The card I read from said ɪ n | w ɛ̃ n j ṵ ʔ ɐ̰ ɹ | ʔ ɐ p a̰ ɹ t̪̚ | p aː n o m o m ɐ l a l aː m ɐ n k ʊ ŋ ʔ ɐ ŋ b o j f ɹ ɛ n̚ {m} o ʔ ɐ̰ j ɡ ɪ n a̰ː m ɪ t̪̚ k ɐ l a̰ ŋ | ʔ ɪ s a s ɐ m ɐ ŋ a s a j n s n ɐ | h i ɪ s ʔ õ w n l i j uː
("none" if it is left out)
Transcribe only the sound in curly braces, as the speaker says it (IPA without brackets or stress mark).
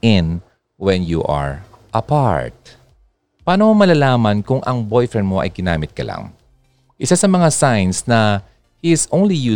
m